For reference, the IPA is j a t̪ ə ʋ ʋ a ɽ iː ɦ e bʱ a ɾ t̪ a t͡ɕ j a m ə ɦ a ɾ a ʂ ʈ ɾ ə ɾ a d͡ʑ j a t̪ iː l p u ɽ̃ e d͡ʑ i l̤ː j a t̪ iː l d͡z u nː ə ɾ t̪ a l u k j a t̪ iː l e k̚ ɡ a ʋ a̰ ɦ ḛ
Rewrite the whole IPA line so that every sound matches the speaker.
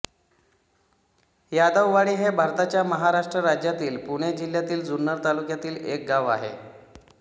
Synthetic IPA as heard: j a d̪ ə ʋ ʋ a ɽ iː ɦ e bʱ a ɾ t̪ a t͡ɕ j a m ə ɦ a ɾ a ʂ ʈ ɾ ə ɾ a d͡ʑ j a t̪ iː l p u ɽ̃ e d͡ʑ i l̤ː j a t̪ iː l d͡z u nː ə ɾ t̪ a l u k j a t̪ iː l e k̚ ɡ a ʋ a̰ ɦ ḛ